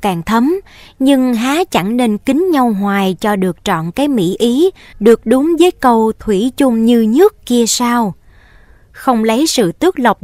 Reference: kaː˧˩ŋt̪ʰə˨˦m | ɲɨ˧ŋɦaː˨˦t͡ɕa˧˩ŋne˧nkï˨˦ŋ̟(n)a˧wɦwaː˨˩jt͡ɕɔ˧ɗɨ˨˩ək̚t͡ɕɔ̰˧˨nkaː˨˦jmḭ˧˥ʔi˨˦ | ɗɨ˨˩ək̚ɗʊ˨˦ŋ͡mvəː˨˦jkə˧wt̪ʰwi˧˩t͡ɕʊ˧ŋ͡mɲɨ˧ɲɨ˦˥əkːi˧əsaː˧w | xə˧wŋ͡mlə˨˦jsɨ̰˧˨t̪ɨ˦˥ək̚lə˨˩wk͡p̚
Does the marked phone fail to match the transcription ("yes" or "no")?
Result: yes